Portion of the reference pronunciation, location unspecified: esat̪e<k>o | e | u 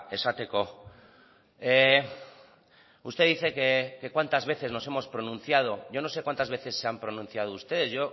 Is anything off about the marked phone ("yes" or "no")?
no